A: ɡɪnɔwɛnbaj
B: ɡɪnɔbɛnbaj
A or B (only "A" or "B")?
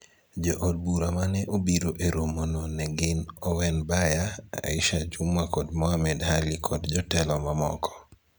A